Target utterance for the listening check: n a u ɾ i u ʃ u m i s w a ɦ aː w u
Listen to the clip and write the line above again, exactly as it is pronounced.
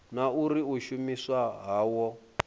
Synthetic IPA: n a u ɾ i u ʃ u m i s w a ɦ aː w ɔ